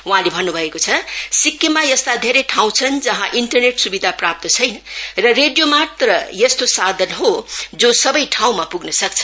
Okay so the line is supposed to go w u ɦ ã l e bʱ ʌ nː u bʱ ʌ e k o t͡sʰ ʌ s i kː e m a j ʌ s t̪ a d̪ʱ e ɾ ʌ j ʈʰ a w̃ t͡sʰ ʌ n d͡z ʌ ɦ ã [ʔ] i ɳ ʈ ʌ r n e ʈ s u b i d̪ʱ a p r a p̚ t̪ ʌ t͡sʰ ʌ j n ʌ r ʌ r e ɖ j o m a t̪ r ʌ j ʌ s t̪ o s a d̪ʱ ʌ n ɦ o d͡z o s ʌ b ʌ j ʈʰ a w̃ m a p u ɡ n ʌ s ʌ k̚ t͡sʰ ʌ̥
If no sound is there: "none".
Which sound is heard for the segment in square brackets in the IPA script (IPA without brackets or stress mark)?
ʔ